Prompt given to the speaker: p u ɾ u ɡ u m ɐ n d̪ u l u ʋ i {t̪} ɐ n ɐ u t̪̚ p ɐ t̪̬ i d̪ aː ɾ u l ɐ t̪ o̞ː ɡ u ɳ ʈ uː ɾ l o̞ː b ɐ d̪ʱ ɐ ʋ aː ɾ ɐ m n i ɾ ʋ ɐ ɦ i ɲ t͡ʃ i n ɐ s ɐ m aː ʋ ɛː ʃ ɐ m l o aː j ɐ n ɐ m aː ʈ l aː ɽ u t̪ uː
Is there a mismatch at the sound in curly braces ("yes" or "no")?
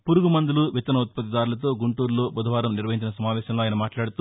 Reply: no